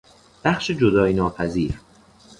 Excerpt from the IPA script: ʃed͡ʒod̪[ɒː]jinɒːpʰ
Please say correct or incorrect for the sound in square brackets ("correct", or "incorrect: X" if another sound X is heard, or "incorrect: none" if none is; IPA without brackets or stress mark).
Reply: correct